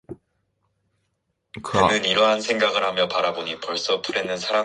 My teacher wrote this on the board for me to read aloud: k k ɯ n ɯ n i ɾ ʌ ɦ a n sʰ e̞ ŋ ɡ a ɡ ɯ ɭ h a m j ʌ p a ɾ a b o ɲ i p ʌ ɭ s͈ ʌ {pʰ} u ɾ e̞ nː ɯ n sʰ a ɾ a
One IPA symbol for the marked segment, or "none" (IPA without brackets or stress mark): pʰ